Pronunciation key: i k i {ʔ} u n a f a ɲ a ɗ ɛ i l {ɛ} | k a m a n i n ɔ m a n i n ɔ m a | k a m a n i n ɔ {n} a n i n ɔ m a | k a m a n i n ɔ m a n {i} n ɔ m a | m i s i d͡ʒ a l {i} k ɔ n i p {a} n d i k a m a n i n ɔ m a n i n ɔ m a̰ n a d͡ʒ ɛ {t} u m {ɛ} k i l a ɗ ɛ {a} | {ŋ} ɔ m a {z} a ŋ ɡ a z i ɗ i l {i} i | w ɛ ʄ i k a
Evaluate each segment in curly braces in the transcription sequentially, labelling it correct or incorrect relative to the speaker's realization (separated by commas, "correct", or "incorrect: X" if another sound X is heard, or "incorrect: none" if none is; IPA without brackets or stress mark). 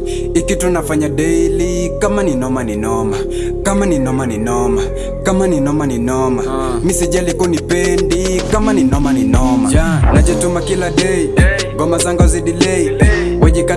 incorrect: t, incorrect: i, incorrect: m, correct, correct, incorrect: ɛ, correct, incorrect: a, incorrect: i, incorrect: ɡ, correct, incorrect: ɛ